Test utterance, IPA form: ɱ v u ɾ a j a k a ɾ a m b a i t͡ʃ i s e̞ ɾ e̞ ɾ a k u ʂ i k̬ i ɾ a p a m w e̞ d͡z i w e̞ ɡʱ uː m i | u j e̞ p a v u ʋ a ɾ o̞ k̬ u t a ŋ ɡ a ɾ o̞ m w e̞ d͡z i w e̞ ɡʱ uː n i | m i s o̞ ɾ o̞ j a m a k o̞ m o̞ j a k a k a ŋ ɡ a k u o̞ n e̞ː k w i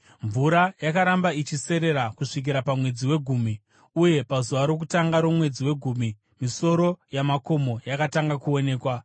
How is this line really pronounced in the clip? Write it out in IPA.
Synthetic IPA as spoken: ɱ v u ɾ a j a k a ɾ a m b a i t͡ʃ i s e̞ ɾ e̞ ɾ a k u ʂ i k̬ i ɾ a p a m w e̞ d͡z i w e̞ ɡʱ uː m i | u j e̞ p a z u ʋ a ɾ o̞ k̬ u t a ŋ ɡ a ɾ o̞ m w e̞ d͡z i w e̞ ɡʱ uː m i | m i s o̞ ɾ o̞ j a m a k o̞ m o̞ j a k a t a ŋ ɡ a k u o̞ n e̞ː k w a